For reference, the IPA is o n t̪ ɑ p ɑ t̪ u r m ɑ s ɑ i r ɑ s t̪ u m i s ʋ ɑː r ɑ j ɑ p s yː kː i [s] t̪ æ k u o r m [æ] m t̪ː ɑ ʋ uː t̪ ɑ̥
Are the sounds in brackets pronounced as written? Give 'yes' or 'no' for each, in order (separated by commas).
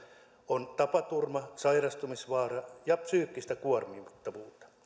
yes, no